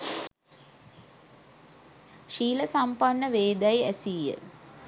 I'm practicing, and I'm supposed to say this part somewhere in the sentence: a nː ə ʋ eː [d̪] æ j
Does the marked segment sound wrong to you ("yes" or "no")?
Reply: no